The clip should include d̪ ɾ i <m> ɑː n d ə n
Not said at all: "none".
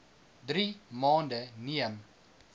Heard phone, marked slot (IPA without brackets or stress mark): m